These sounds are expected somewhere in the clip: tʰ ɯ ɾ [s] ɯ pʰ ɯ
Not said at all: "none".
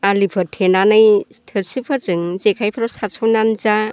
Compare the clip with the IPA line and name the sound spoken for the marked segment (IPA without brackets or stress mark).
s